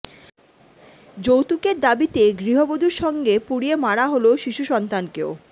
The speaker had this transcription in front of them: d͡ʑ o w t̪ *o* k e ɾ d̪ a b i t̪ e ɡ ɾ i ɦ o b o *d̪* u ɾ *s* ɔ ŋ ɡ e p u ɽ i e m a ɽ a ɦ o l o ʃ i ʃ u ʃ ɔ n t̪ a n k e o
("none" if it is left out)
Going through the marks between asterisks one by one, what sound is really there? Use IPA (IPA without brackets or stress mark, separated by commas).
u, d̪, ʃ